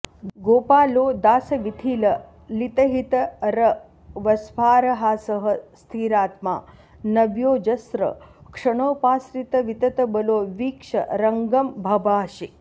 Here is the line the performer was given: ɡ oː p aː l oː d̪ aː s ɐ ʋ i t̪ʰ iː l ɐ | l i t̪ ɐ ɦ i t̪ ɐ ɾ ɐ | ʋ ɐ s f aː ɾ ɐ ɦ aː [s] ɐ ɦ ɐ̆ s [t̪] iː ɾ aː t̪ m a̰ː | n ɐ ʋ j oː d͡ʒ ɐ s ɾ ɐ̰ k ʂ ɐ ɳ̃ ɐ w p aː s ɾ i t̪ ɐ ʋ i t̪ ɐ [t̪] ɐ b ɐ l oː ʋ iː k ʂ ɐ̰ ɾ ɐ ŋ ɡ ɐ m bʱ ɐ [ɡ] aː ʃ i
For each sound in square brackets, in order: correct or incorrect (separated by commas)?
correct, incorrect, correct, incorrect